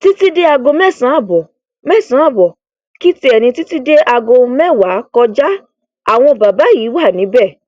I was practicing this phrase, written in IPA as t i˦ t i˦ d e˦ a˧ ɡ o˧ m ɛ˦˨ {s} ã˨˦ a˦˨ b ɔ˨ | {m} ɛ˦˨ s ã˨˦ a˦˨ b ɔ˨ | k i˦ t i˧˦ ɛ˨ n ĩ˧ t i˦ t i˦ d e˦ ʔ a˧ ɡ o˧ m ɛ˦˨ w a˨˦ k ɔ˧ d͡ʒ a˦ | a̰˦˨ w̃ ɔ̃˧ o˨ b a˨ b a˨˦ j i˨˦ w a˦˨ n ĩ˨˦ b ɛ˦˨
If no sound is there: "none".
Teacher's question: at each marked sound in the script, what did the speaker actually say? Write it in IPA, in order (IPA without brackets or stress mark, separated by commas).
s, m